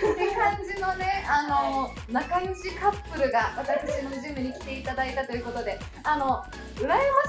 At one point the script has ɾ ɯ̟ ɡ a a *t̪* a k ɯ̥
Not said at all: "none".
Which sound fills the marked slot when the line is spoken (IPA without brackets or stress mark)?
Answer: t̪